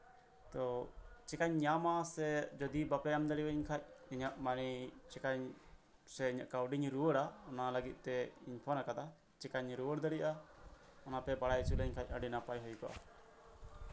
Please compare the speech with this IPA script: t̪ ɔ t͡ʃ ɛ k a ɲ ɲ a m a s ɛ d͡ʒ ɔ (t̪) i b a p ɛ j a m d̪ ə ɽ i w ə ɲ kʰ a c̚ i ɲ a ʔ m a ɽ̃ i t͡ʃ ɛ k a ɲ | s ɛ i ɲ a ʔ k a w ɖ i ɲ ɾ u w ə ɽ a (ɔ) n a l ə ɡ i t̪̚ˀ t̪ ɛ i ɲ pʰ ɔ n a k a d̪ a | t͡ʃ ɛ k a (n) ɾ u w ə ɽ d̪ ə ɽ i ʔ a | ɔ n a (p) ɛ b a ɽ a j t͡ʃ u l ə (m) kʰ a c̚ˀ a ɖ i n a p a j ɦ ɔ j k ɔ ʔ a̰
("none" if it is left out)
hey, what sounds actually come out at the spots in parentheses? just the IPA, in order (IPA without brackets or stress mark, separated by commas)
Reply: d̪, ɔ, ɲ, p, ɲ